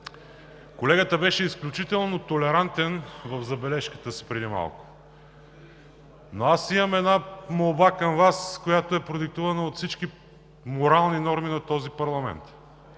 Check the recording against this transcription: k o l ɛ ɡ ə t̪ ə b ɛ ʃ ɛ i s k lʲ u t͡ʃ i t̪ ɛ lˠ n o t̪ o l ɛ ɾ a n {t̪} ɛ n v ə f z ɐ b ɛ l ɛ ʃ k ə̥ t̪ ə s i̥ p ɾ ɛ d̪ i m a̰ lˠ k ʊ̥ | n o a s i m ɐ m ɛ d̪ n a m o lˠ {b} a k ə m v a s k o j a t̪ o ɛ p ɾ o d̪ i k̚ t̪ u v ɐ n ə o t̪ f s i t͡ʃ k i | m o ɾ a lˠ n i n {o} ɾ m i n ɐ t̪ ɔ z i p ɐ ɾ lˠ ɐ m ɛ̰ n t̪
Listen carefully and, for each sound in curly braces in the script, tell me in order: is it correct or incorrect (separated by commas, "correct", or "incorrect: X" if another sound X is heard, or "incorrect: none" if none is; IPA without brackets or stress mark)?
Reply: correct, correct, incorrect: ɔ